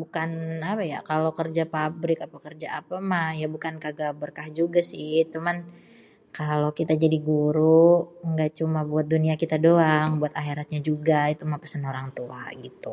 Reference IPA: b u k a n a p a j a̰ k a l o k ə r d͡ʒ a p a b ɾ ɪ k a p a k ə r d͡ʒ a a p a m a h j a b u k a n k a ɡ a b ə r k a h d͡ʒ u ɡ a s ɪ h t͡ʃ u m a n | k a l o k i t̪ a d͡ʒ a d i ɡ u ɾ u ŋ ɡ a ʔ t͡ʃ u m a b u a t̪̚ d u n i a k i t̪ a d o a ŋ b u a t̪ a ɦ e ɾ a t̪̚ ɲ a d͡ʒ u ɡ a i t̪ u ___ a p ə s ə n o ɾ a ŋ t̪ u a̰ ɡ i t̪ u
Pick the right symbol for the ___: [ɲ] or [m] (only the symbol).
m